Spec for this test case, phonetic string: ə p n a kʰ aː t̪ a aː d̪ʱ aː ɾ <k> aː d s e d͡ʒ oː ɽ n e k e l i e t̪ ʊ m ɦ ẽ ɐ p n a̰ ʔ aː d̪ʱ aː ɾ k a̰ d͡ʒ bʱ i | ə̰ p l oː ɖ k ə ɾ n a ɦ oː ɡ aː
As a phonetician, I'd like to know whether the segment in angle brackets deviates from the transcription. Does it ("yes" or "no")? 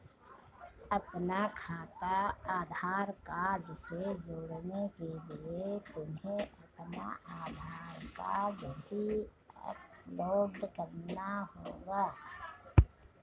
no